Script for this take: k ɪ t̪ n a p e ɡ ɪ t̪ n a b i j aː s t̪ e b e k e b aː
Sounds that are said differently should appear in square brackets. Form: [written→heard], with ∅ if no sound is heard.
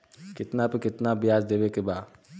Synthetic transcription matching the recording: k ɪ t̪ n a p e [ɡ→k] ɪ t̪ n a b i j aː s [t̪→d̪] e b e k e b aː